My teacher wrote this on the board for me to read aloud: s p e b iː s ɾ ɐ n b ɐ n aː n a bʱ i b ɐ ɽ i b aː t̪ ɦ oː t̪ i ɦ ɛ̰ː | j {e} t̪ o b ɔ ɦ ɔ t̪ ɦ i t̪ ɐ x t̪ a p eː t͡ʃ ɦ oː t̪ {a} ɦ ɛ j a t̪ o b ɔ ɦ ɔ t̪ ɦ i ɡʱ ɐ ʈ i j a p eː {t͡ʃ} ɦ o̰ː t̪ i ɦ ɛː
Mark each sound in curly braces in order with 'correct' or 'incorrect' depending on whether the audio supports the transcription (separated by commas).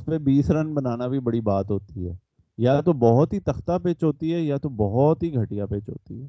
incorrect, incorrect, correct